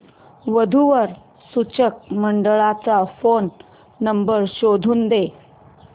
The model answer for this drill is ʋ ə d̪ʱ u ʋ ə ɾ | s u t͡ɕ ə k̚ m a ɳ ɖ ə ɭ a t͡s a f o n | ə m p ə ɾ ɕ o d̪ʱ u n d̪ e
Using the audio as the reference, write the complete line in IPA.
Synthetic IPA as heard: ʋ ə d̪ʱ u ʋ ə ɾ | s u t͡ɕ ə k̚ m ə ɳ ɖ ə ɭ a t͡s a f o nː | ə m b ə ɾ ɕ o d̪ʱ uː n d̪ e